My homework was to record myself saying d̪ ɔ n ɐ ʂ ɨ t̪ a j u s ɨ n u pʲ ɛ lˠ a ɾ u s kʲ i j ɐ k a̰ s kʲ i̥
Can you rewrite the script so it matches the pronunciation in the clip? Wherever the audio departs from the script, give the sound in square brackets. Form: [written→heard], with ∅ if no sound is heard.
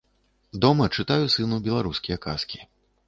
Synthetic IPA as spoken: d̪ ɔ [n→m] ɐ [ʂ→t͡ʂ] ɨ t̪ a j u s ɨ n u [pʲ→bʲ] ɛ lˠ a ɾ u s kʲ i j ɐ k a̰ s kʲ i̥